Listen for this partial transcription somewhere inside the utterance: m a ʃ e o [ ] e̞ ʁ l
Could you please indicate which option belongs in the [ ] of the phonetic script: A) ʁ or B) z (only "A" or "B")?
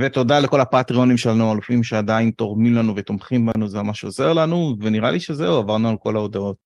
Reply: B